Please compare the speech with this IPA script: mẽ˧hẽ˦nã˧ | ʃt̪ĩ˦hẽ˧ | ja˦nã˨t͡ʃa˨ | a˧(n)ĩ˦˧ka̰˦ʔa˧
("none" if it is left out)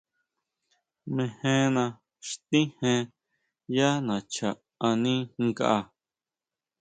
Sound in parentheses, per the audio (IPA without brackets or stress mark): n